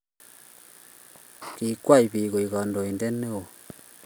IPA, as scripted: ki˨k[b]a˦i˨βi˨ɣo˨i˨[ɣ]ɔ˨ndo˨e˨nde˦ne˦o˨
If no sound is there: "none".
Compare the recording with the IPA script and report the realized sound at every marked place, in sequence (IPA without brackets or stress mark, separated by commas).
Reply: w, ɣ